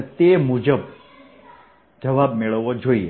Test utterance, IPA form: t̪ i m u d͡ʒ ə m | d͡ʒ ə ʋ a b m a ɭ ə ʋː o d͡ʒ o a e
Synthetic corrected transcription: t̪ e m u d͡ʒ ə b | d͡ʒ ə ʋ a b m e ɭ ə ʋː o d͡ʒ o i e